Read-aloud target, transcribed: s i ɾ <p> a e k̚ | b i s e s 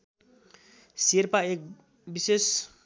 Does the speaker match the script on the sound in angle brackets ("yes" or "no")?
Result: yes